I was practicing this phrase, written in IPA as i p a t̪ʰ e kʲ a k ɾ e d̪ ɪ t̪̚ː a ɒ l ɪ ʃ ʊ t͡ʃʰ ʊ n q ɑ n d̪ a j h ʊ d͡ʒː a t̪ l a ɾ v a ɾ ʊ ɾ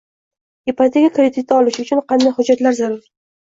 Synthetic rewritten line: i p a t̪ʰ e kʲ a k ɾ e d̪ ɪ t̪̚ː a ɒ l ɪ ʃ ʊ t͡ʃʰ ʊ n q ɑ n d̪ a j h ʊ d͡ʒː a t̪ l a ɾ z a ɾ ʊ ɾ